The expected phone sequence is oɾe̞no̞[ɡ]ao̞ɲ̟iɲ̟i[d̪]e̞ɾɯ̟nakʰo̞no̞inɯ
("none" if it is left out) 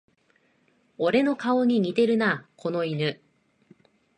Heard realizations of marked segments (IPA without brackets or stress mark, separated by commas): k, t̪